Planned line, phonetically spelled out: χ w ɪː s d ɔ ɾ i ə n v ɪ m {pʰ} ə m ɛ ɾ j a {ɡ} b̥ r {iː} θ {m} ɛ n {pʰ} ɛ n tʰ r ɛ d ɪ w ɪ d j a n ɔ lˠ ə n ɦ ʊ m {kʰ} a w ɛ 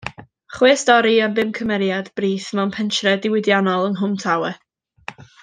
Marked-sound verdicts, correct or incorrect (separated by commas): incorrect, incorrect, correct, correct, correct, incorrect